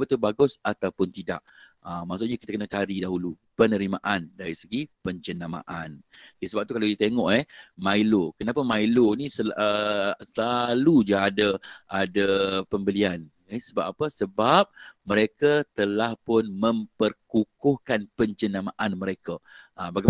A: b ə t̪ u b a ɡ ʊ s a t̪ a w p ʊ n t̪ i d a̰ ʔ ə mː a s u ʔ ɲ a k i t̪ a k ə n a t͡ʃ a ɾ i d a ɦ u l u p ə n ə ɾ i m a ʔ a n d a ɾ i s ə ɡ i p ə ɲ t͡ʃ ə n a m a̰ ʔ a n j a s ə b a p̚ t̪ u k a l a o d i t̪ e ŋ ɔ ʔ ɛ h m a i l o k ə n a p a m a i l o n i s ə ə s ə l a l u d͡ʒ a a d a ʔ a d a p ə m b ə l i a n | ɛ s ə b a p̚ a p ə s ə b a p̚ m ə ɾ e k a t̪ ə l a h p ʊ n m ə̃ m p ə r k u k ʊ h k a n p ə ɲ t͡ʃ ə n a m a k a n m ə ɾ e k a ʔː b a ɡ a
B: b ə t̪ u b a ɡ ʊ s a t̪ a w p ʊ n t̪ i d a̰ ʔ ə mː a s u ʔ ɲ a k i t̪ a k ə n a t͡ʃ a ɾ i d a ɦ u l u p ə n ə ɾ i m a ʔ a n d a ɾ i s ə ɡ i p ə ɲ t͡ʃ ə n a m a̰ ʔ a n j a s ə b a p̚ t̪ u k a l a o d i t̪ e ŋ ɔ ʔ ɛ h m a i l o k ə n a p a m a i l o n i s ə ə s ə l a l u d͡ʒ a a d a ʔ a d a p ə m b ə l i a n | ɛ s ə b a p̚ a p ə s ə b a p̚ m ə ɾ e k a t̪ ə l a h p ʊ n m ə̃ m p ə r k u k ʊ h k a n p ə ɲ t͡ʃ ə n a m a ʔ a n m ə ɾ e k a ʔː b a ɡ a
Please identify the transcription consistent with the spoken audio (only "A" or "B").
B